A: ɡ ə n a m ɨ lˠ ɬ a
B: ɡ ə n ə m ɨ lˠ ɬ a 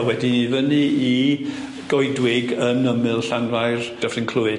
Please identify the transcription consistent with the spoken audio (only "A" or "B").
B